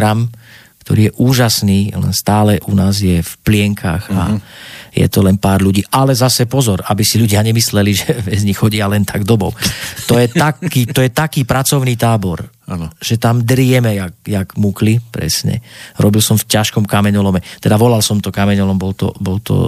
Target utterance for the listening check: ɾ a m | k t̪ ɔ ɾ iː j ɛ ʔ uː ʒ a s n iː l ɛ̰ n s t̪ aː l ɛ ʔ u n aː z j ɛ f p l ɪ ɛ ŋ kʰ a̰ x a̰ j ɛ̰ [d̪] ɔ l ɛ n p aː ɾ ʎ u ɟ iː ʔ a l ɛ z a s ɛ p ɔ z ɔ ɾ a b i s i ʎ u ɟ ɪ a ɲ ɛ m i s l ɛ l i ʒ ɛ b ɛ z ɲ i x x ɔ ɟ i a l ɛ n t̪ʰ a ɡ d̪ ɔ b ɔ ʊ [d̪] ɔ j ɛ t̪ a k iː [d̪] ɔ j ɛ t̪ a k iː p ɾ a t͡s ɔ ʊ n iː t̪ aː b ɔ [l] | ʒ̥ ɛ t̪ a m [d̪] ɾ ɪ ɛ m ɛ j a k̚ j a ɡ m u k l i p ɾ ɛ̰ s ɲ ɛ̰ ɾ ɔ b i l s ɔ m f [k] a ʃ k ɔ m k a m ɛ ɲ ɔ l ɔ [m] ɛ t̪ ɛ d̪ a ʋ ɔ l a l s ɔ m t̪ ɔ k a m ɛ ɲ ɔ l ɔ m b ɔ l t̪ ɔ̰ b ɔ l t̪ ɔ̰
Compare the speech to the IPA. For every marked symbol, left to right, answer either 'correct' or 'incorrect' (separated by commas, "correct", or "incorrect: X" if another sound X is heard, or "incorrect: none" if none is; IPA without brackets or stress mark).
incorrect: t̪, incorrect: t̪, incorrect: t̪, incorrect: ɾ, correct, incorrect: c, correct